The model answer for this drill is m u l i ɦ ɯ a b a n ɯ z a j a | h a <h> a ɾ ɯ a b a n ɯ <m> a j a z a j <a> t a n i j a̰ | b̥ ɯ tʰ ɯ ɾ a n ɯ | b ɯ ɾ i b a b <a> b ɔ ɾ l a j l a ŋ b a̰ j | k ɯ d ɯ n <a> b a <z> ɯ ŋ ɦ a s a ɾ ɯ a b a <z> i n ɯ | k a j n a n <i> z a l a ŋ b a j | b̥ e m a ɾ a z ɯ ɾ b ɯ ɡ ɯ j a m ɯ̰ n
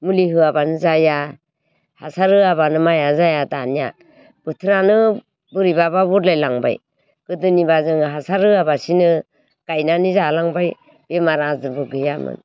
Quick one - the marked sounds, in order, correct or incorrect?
incorrect: s, correct, correct, correct, incorrect: i, correct, incorrect: s, correct

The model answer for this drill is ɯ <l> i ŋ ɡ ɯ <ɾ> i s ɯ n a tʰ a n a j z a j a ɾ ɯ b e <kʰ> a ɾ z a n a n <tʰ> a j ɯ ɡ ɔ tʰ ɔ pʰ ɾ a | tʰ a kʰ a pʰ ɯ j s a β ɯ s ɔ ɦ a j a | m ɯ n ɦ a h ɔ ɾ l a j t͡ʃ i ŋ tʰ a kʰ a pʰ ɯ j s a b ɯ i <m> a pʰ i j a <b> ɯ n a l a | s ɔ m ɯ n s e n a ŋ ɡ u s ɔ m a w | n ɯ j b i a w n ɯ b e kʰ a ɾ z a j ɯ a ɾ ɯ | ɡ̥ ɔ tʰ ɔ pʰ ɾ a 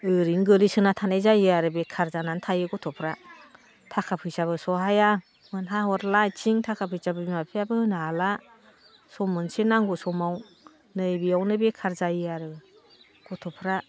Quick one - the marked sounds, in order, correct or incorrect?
incorrect: ɾ, incorrect: l, correct, correct, correct, correct

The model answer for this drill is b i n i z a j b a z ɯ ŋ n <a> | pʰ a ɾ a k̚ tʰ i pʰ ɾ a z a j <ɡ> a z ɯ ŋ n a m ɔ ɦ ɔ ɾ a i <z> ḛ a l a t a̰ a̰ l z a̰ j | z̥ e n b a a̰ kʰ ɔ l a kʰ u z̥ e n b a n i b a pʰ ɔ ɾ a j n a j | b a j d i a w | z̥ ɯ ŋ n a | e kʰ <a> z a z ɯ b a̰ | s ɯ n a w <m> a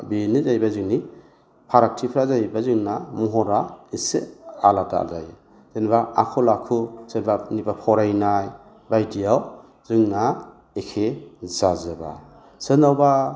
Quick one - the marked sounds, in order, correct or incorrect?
incorrect: i, incorrect: b, incorrect: s, incorrect: e, incorrect: b

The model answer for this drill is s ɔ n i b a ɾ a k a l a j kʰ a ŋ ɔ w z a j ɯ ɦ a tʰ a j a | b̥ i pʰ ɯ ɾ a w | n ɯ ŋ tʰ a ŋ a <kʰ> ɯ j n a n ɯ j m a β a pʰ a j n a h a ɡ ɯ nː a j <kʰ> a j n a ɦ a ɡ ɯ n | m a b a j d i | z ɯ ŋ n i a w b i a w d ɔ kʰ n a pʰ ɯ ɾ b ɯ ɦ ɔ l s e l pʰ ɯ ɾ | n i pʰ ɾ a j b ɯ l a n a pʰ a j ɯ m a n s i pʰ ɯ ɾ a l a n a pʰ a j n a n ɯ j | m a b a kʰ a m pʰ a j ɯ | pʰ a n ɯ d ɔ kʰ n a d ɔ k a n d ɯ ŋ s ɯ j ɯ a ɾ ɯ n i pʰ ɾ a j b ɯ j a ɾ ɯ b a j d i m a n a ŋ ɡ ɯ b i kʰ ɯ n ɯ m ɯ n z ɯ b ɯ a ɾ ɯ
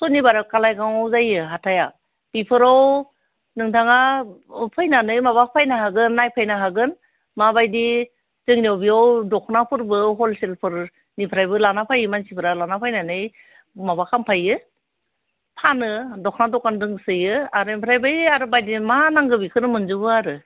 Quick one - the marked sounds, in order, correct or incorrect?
incorrect: pʰ, incorrect: pʰ

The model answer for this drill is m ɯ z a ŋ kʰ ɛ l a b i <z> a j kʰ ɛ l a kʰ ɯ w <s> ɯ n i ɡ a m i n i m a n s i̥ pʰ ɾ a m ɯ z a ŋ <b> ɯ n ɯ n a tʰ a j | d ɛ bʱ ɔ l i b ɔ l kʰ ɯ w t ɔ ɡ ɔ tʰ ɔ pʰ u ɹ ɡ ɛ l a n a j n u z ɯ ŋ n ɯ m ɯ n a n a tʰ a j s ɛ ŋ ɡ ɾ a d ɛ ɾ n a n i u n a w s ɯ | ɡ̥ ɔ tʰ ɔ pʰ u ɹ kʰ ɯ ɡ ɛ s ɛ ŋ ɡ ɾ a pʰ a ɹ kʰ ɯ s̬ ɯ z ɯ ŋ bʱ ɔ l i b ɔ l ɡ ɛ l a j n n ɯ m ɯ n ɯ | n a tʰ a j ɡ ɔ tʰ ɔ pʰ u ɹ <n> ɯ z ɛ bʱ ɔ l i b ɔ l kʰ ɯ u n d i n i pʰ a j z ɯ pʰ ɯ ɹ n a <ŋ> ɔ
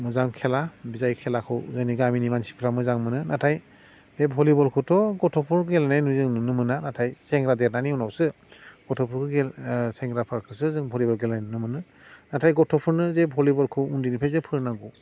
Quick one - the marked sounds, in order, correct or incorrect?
correct, incorrect: z, incorrect: m, correct, incorrect: ɡ

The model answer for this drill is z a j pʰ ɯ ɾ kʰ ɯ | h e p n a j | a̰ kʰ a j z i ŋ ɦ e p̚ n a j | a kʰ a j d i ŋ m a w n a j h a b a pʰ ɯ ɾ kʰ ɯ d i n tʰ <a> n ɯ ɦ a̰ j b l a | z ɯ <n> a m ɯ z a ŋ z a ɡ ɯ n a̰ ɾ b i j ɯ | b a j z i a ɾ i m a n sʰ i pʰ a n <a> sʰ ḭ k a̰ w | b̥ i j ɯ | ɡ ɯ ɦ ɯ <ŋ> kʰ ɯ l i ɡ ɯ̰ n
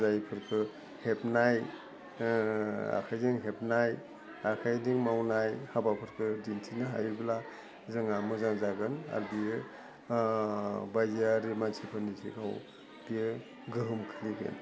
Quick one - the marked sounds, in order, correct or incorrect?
incorrect: i, incorrect: ŋ, incorrect: i, incorrect: m

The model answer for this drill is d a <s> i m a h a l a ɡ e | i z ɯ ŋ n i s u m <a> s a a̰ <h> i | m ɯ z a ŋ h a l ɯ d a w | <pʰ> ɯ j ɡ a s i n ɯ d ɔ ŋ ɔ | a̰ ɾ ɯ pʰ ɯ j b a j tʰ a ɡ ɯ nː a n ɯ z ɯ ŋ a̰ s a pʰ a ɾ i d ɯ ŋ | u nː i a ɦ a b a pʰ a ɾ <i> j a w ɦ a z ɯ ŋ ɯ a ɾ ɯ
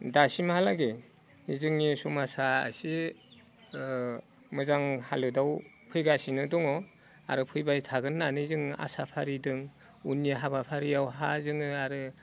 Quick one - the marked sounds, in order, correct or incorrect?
correct, correct, incorrect: s, correct, correct

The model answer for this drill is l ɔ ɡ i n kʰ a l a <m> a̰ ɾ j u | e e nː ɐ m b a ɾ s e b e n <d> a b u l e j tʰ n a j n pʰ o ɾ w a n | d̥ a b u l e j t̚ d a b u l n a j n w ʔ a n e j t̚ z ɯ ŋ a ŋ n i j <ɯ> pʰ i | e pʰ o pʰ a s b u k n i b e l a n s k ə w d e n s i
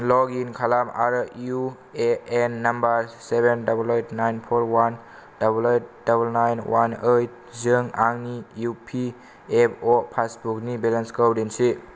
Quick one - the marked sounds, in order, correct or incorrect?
correct, correct, incorrect: u

